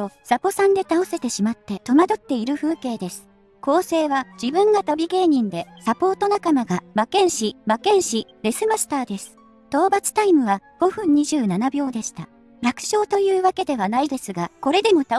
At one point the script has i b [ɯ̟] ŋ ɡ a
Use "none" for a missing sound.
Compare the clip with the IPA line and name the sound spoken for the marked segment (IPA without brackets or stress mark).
ɯ̟̃